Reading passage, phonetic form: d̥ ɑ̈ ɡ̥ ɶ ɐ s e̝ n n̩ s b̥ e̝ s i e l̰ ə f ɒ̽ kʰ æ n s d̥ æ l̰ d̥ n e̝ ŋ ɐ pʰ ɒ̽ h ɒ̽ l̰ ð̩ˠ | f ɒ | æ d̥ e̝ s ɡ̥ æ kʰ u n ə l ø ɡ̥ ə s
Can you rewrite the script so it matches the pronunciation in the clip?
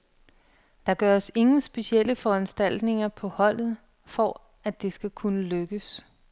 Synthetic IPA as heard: d̥ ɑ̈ ɡ̥ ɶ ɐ s e̝ ŋ n̩ s b̥ e̝ s i e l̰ ə f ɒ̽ æ n s d̥ æ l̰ d̥ n e̝ ŋ ɐ pʰ ɒ̽ h ɒ̽ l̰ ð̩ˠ | f ɒ | æ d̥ e̝ s ɡ̥ æ kʰ u n ə l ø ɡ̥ ə s